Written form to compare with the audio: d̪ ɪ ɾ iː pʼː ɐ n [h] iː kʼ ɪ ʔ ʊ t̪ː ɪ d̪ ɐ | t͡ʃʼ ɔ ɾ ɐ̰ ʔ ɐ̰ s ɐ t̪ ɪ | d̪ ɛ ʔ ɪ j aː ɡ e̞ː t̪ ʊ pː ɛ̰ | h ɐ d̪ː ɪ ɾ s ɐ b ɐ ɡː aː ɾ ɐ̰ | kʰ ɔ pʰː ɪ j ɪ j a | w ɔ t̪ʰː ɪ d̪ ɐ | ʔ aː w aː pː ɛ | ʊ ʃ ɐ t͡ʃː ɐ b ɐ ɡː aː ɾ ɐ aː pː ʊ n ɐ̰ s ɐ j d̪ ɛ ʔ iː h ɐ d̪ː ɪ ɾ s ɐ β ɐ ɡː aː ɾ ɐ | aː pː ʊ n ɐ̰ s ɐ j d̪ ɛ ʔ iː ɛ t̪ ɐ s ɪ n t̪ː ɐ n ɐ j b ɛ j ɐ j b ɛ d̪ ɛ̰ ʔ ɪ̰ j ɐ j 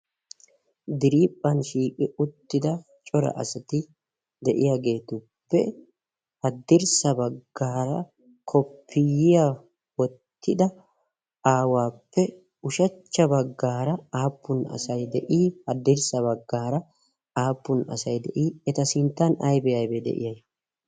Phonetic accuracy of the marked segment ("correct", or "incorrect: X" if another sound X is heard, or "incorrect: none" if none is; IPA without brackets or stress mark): incorrect: ʃ